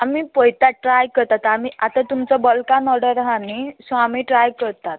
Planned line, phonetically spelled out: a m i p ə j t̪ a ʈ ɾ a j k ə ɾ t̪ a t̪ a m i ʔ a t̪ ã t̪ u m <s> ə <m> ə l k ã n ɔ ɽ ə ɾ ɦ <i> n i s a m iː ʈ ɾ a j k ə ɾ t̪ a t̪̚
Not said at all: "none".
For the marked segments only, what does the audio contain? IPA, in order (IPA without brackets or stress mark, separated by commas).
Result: t͡s, b, a